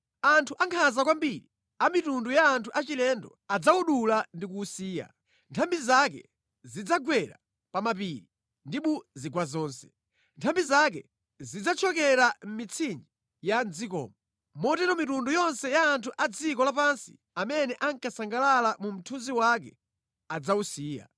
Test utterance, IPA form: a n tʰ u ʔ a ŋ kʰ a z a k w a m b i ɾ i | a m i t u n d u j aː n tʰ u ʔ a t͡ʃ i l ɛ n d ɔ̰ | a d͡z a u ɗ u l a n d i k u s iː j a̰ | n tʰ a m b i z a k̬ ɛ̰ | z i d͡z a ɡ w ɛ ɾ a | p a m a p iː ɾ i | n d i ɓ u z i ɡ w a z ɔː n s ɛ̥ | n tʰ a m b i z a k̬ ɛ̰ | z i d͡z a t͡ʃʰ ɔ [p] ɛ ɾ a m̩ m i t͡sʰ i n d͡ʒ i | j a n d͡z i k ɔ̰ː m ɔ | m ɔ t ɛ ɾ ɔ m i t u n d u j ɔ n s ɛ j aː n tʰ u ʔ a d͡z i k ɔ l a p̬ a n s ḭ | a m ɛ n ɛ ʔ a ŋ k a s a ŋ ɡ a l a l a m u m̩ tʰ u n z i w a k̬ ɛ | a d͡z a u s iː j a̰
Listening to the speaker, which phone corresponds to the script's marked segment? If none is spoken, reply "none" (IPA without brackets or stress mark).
k